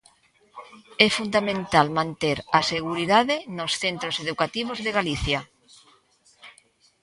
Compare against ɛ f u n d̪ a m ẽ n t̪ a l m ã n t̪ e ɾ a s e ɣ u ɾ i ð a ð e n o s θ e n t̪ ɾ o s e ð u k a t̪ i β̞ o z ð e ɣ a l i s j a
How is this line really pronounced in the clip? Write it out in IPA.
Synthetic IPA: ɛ f u n d̪ a m ẽ n t̪ a l m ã n t̪ e ɾ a s e ɣ u ɾ i ð a ð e n o s θ e n t̪ ɾ o s e ð u k a t̪ i β̞ o z ð e ɣ a l i θ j a